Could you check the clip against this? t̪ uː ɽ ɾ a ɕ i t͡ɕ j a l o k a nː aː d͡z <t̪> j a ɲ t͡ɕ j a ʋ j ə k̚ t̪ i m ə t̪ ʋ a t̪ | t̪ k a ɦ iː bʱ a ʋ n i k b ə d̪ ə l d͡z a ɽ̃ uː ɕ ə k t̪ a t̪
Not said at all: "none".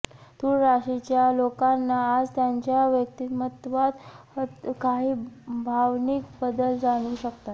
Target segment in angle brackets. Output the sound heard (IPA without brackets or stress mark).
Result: t̪